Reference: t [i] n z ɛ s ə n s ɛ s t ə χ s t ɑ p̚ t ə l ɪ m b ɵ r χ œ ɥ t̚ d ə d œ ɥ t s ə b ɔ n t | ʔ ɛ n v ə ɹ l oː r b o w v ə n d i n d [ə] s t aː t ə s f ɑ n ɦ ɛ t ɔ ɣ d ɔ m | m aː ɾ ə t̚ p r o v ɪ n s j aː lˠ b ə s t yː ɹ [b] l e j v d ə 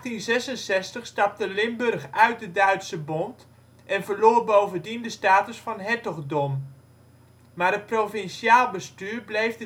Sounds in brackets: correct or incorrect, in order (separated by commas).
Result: correct, correct, correct